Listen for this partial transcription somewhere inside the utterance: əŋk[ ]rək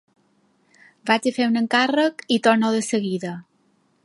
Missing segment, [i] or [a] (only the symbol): a